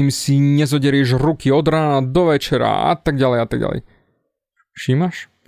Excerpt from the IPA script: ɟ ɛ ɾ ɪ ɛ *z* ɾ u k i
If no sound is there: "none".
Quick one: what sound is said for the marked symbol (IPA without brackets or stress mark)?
ʒ